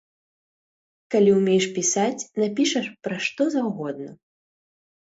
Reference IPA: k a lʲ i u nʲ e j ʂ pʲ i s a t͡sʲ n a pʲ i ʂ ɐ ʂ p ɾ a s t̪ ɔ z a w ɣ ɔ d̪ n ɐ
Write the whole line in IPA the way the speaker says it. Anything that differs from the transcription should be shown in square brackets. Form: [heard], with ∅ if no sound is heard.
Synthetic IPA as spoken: k a lʲ i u [mʲ] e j ʂ pʲ i s a t͡sʲ n a pʲ i ʂ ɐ ʂ p ɾ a [ʂ] t̪ ɔ z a w ɣ ɔ d̪ n ɐ